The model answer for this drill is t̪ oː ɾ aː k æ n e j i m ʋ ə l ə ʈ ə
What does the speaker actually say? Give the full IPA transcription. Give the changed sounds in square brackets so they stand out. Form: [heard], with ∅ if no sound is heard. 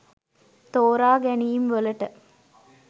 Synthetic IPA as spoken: t̪ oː ɾ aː [ɡ] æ n [i] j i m ʋ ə l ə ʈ ə